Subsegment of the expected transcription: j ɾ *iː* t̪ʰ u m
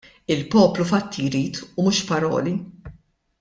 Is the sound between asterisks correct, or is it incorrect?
correct